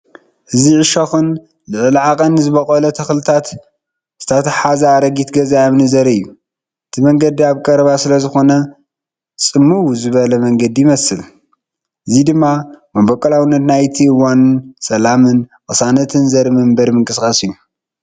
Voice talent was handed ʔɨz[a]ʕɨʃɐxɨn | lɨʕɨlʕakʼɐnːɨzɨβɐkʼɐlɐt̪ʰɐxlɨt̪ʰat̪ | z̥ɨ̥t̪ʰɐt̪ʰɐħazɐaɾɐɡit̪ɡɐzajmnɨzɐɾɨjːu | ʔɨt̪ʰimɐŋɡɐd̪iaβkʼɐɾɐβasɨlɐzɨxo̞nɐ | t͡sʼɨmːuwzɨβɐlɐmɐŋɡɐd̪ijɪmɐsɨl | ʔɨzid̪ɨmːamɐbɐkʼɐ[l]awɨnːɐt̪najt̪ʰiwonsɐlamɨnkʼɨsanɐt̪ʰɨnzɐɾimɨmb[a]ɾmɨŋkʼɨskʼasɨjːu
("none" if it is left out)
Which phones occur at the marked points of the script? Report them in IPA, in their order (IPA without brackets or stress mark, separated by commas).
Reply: i, l, ɐ